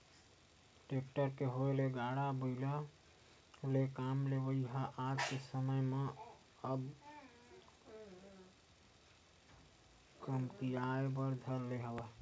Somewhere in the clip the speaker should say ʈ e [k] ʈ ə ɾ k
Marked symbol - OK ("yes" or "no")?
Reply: yes